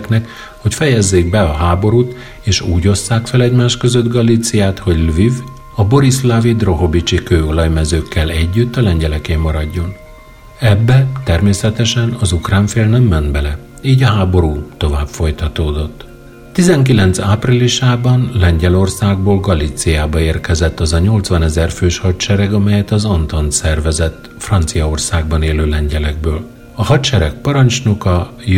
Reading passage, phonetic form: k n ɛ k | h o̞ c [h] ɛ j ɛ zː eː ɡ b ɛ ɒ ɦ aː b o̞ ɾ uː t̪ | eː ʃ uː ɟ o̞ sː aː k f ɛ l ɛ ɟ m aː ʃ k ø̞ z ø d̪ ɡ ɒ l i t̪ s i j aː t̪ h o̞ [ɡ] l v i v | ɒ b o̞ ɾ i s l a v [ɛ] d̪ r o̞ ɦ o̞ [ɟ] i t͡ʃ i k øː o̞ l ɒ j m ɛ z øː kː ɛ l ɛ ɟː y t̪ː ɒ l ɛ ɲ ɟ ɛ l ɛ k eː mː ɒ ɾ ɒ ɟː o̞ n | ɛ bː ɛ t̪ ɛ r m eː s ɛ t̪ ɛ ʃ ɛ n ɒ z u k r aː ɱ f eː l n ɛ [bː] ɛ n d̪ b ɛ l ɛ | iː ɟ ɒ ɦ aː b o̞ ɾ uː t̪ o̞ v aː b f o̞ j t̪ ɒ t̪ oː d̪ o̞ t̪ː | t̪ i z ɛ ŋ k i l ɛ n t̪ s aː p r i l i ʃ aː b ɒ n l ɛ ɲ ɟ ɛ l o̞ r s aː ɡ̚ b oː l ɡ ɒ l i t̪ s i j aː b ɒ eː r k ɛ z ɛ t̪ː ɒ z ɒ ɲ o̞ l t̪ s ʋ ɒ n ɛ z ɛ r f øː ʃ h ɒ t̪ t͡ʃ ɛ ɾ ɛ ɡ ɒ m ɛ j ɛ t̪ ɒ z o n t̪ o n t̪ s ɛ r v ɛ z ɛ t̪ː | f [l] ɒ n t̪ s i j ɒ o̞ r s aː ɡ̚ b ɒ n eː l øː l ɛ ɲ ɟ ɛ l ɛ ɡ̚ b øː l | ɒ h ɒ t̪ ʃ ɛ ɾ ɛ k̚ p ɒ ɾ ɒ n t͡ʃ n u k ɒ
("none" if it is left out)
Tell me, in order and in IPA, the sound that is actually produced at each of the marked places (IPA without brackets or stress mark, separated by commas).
f, ɟ, i, b, mː, r